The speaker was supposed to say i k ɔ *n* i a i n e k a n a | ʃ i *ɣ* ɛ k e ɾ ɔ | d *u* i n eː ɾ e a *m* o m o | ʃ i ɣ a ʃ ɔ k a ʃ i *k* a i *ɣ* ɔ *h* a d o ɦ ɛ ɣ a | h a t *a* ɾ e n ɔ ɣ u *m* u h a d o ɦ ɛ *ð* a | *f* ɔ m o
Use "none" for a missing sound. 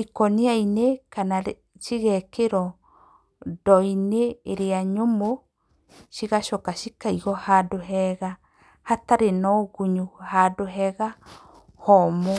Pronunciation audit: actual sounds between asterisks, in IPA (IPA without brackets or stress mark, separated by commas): n, ɣ, ɔ, ɲ, k, ɣ, h, a, ɲ, ɣ, h